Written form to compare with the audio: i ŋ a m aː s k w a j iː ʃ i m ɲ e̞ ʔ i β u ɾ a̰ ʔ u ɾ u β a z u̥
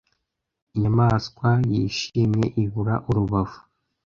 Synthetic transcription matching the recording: i ɲ a m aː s k w a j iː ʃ i m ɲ e̞ ʔ i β u ɾ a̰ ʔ u ɾ u β a v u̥